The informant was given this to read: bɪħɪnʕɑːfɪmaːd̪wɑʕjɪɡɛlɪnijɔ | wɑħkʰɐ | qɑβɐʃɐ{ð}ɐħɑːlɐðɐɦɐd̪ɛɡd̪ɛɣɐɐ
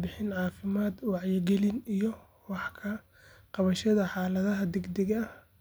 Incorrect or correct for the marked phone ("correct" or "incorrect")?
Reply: correct